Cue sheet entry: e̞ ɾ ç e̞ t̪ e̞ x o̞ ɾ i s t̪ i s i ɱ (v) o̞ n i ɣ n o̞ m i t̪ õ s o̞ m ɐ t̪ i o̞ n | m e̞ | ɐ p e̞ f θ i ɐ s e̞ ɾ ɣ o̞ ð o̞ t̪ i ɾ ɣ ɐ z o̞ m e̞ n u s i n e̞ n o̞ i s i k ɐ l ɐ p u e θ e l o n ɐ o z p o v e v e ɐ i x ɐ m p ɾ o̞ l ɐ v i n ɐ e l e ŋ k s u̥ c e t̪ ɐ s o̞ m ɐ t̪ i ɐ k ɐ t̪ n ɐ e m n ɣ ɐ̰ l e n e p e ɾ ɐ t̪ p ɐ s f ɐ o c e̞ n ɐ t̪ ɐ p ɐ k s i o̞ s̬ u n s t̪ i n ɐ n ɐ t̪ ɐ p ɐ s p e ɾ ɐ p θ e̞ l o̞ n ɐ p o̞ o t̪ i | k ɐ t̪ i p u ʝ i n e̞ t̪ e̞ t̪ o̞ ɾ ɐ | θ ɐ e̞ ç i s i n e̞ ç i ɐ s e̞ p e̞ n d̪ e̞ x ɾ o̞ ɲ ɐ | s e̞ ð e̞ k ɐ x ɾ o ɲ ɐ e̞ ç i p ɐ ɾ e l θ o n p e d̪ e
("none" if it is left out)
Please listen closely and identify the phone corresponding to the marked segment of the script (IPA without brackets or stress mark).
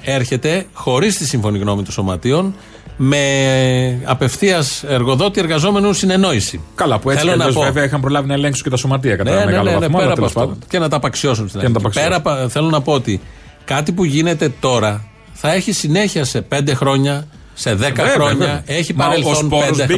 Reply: f